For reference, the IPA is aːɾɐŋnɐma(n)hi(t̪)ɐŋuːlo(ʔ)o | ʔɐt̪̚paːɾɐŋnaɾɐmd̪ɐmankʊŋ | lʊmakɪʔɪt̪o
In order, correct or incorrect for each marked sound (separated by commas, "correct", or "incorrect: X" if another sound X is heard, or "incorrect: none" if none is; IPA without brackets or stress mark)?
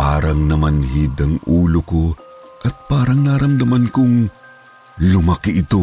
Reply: correct, incorrect: d̪, incorrect: k